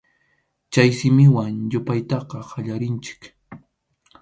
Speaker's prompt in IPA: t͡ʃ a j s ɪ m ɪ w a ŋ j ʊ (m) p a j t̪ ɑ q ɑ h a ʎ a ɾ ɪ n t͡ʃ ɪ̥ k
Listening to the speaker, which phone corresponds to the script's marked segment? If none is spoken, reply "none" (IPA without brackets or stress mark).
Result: none